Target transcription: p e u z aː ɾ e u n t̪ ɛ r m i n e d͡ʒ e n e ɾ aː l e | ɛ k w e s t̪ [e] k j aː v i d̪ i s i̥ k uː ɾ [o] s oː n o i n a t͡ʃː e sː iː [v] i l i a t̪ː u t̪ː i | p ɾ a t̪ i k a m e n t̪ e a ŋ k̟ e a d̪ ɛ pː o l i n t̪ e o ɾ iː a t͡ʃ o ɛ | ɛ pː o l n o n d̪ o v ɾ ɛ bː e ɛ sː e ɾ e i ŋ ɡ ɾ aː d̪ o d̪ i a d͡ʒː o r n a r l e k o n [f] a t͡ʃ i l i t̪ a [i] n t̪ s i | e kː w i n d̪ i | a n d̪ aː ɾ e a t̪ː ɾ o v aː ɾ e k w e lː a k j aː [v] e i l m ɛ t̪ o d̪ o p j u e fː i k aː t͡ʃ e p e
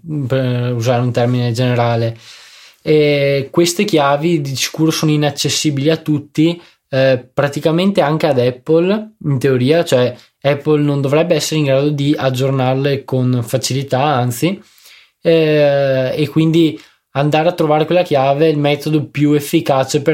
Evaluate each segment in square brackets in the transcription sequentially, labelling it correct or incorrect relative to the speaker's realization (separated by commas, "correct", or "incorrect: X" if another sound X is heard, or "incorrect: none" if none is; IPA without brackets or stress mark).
correct, correct, incorrect: b, correct, incorrect: a, correct